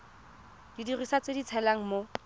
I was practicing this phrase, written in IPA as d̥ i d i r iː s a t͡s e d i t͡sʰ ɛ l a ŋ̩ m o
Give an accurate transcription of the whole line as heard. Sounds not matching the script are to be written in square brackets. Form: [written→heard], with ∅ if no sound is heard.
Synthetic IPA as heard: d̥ i d i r [iː→i] s a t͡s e d i t͡sʰ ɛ l a ŋ̩ m o